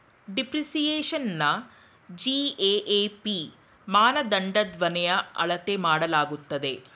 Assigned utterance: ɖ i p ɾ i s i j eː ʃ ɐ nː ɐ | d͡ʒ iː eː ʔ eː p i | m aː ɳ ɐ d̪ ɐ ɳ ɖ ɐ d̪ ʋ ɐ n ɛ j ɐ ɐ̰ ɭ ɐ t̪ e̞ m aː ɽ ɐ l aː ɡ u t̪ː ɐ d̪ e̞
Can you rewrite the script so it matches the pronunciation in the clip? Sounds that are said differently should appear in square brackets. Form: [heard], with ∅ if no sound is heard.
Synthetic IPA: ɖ i p ɾ i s i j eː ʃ ɐ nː ɐ | d͡ʒ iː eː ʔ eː p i | m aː [n] ɐ d̪ ɐ ɳ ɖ ɐ d̪ ʋ ɐ n ɛ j ɐ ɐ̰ ɭ ɐ t̪ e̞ m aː ɽ ɐ l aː ɡ u t̪ː ɐ d̪ e̞